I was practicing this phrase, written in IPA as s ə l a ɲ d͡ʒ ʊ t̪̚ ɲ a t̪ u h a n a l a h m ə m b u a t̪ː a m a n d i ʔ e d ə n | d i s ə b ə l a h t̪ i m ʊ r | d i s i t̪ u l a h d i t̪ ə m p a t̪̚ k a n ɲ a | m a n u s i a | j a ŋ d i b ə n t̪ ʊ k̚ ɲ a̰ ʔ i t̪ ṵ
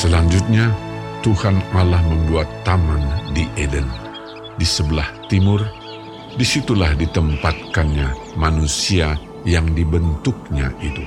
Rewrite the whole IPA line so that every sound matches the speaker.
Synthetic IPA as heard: s ə l a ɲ d͡ʒ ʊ t̪̚ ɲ a t̪ u h a n a l a h m ə m b u a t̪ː a m a n d i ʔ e d ə n | d i s ə b ə l a h t̪ i m ʊ r | d i s i t̪ u l a h d i t̪ ə m p a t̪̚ k a n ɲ a | m a n u s i a | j a ŋ d i b ə n t̪ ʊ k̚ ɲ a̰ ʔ i t̪ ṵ